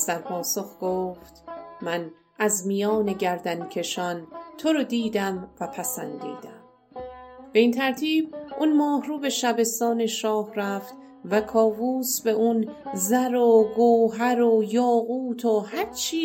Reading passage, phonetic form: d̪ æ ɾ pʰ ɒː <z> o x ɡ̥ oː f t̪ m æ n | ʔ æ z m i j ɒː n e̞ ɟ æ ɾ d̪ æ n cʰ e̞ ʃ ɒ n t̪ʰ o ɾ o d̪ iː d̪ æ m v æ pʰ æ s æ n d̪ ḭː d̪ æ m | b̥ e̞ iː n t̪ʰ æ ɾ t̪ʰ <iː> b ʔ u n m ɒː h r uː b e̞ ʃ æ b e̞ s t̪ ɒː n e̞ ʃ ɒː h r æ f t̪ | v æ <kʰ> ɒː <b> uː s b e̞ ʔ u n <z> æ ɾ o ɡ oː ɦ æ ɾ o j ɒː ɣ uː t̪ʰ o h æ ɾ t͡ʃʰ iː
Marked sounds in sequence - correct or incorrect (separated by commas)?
incorrect, correct, correct, incorrect, correct